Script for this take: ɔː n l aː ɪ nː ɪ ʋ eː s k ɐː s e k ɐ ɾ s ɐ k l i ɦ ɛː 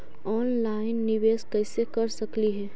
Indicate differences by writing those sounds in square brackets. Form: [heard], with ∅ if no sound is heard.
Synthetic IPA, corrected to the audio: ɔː n l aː ɪ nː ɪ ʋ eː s k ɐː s e k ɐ ɾ s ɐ k l i ɦ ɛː